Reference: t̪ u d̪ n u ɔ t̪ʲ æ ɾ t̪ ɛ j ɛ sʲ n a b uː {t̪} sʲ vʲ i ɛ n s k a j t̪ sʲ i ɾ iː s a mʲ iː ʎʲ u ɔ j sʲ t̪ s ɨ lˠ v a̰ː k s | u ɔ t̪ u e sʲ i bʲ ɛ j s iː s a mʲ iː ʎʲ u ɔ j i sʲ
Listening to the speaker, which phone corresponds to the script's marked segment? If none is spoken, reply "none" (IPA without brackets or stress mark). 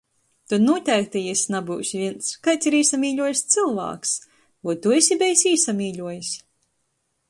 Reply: none